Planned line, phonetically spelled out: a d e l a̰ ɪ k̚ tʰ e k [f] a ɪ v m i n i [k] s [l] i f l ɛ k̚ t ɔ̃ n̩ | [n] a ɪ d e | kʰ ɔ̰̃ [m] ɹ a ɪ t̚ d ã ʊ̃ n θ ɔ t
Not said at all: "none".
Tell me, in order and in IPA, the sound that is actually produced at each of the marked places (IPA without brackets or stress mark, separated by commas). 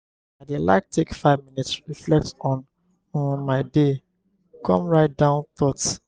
f, t, ɹ, m, m